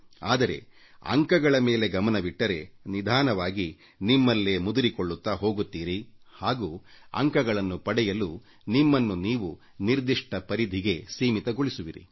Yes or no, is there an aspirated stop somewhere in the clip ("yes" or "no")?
no